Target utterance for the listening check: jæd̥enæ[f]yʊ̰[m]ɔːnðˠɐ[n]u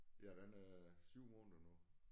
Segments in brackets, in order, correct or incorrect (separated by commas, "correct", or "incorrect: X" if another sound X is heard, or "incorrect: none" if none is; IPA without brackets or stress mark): incorrect: s, correct, correct